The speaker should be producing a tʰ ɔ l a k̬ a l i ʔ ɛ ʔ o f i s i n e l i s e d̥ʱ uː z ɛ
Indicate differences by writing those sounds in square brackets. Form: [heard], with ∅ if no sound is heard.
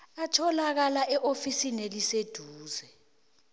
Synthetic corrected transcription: a tʰ ɔ l a k̬ a l [a] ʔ ɛ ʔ o f i s i n e l i s e d̥ʱ uː z ɛ